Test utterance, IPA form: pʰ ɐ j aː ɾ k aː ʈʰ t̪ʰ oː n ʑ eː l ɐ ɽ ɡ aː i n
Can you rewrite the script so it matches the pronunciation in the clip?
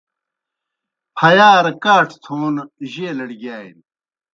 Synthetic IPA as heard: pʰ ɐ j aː ɾ k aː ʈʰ t̪ʰ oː n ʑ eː l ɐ ɽ ɡ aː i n